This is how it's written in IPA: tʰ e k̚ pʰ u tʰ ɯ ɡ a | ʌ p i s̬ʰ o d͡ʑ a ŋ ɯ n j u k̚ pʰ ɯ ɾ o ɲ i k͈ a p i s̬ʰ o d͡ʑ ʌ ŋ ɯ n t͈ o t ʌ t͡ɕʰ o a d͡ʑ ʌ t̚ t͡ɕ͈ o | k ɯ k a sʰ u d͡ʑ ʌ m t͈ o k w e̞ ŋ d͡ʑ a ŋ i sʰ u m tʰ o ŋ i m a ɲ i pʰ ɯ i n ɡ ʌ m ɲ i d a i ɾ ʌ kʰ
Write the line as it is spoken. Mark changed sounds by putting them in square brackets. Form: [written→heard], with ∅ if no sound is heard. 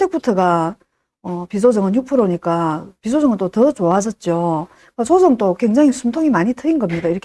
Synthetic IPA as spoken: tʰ e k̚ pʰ u tʰ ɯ ɡ a | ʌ p i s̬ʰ o d͡ʑ [a→ʌ] ŋ ɯ n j u k̚ pʰ ɯ ɾ o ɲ i k͈ a p i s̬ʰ o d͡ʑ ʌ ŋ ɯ n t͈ o t ʌ [t͡ɕʰ→t͡ɕ] o a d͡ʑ ʌ t̚ t͡ɕ͈ o | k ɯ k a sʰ [u→o] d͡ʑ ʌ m t͈ o k w e̞ ŋ d͡ʑ a ŋ i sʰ u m tʰ o ŋ i m a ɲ i [pʰ→tʰ] ɯ i n ɡ ʌ m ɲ i d a i ɾ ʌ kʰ